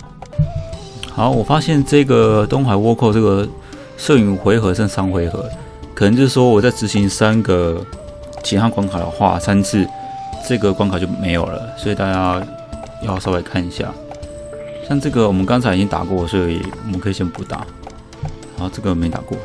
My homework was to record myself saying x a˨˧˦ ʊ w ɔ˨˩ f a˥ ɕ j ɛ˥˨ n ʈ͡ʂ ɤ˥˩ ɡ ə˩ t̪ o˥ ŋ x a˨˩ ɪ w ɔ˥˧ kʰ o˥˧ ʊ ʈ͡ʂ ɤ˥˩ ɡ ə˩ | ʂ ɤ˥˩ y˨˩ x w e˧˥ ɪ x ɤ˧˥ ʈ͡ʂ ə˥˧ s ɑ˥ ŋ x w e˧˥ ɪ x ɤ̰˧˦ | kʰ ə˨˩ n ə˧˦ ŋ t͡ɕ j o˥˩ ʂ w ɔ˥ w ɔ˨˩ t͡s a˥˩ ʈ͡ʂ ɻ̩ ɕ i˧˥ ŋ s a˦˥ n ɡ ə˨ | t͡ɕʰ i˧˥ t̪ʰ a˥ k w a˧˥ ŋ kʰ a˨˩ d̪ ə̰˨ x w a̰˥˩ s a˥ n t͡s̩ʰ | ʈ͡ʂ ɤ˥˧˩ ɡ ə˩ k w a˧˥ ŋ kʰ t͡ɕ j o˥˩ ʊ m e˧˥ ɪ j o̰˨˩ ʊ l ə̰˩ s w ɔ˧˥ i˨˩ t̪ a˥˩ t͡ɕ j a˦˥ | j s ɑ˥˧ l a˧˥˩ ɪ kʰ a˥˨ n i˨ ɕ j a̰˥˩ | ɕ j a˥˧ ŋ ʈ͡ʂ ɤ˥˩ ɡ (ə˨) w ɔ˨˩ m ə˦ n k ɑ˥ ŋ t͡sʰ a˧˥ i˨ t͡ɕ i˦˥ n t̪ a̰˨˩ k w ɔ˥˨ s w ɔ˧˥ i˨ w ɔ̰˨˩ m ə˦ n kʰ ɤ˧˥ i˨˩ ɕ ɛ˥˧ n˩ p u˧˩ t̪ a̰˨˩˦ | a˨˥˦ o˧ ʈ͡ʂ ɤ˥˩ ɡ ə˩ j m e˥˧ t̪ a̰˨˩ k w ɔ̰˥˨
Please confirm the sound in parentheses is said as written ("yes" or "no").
yes